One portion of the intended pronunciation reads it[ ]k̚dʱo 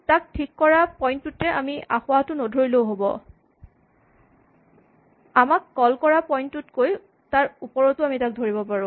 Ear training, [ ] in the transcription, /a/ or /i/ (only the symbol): a